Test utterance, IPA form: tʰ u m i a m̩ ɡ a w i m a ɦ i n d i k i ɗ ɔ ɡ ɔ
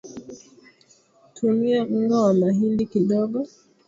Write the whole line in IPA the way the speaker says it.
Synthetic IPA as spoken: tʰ u m i a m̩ ɡ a w a m a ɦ i n d i k i ɗ ɔ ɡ ɔ